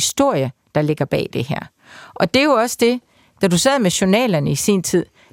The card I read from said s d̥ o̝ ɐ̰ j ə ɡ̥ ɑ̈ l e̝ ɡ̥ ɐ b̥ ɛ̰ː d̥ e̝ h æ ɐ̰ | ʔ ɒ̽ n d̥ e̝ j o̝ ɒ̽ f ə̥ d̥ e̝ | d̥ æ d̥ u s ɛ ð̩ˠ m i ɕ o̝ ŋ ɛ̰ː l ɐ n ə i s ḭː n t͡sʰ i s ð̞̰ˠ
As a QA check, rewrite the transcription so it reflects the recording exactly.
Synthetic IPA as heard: s d̥ o̝ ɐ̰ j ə d̥ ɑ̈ l e̝ ɡ̥ ɐ b̥ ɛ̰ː d̥ e̝ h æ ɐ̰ | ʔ ɒ̽ d̥ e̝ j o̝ ɒ̽ s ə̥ d̥ e̝ | d̥ æ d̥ u s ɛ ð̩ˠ m e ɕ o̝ n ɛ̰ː l ɐ n ə i s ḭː n t͡sʰ i ð̞̰ˠ